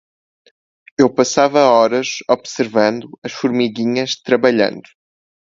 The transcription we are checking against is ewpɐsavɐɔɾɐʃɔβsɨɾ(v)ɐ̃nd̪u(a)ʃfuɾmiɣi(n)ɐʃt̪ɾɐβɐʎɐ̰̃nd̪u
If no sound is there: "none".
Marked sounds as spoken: v, ɐ, ɲ

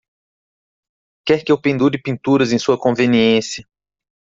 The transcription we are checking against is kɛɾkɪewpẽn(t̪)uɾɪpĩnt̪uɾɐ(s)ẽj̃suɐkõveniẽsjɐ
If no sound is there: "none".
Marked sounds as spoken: d̪, z

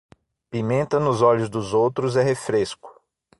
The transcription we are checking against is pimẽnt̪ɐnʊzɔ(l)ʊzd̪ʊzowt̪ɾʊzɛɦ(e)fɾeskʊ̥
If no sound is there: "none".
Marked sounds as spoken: ʎ, e

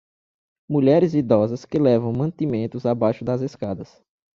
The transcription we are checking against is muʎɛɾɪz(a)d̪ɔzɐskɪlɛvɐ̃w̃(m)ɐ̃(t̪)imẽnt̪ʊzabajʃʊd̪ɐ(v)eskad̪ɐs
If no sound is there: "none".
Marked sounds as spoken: i, m, t̪, z

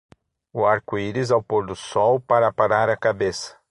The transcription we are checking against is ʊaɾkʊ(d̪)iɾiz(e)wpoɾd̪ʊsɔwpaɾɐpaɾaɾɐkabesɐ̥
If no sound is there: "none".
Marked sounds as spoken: none, a

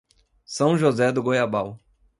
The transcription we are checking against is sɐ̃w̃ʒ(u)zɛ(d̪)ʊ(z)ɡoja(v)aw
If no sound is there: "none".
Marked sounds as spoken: o, d̪, none, b

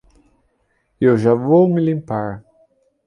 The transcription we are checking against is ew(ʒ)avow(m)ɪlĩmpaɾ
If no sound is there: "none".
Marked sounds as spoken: ʒ, m

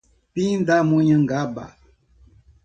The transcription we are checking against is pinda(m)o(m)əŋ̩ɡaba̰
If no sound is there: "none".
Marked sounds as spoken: m, ɲ

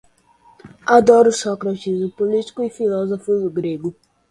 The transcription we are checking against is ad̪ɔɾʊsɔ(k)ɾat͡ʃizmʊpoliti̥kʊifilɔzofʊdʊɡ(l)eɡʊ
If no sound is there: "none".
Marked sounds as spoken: k, ɾ

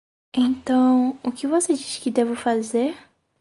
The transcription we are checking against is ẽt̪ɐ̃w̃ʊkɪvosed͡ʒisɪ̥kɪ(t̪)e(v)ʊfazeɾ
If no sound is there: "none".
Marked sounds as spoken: d̪, v

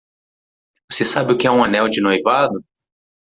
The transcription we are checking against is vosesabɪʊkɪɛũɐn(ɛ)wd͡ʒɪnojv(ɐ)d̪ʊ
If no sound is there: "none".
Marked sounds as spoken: ɛ, a

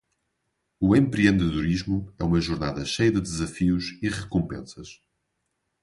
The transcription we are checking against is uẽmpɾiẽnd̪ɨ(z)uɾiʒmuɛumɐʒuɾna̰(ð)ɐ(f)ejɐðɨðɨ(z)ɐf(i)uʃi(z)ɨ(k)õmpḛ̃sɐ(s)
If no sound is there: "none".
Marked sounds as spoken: ð, ð, ʃ, z, i, ʁ, k, ʃ

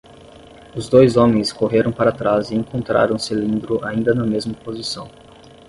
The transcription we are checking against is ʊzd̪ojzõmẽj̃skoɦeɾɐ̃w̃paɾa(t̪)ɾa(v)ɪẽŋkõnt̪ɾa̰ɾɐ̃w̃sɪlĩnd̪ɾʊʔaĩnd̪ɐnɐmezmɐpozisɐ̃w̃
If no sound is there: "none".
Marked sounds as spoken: t̪, z

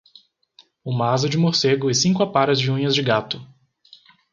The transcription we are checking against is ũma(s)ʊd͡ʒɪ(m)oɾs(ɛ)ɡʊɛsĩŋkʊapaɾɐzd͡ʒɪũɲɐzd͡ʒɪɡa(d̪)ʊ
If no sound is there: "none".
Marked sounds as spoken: z, m, e, t̪

